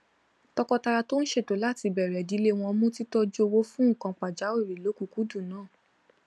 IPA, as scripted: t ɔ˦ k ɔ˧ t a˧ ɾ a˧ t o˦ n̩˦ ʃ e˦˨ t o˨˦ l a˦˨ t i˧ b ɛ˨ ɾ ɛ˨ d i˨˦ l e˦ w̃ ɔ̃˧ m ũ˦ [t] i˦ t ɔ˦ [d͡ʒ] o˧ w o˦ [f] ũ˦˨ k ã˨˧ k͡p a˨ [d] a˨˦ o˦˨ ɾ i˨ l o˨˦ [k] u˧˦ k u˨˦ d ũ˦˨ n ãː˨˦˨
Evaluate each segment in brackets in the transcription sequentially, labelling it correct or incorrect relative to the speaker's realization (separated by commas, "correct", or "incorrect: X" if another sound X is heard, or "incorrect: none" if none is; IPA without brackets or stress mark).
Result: correct, correct, correct, incorrect: d͡ʒ, correct